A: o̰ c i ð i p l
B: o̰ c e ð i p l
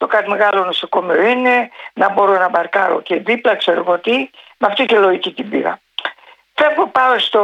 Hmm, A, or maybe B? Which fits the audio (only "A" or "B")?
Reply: B